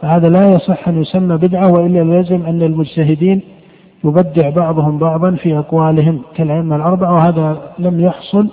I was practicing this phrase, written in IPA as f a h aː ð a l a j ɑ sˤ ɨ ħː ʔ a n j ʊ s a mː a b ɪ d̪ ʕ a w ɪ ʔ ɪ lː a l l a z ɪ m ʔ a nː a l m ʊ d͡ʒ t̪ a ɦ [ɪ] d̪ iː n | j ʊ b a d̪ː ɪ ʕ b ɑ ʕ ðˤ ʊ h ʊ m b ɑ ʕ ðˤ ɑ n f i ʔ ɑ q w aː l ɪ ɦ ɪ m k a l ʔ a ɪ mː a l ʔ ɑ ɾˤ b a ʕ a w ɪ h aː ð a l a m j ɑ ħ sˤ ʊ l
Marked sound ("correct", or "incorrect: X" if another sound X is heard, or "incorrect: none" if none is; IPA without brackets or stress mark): correct